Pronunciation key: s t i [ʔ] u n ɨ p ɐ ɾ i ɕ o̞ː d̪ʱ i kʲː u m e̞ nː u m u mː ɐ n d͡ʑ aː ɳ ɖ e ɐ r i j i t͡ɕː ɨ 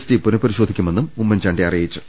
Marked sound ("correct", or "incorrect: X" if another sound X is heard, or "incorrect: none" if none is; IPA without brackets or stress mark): incorrect: p